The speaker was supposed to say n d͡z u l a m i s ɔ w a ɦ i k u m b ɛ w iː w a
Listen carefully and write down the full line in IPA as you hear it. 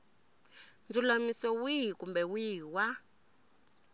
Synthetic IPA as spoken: n d͡z u l a m i s ɔ w i ɦ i k u m b ɛ w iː w a